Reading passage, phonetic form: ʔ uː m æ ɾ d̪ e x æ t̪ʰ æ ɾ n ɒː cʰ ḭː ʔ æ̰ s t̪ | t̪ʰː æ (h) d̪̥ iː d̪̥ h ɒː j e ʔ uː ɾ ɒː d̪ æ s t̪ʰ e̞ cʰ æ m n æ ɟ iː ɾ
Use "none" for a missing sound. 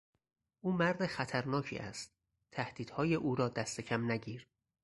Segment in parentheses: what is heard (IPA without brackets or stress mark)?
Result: h